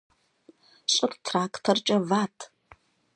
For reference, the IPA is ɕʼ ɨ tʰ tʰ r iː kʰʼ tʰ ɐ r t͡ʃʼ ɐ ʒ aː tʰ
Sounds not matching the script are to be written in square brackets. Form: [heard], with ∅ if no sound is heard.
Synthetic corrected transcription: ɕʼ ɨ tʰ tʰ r [aː] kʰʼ tʰ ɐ r t͡ʃʼ ɐ [v] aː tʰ